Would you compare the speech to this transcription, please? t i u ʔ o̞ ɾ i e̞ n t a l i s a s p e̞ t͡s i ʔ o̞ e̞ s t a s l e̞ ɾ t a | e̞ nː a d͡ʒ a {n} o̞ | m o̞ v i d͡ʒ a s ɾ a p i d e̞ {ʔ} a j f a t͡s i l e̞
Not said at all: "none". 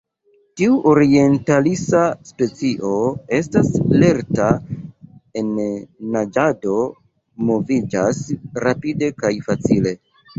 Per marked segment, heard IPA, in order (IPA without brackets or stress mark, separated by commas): d, k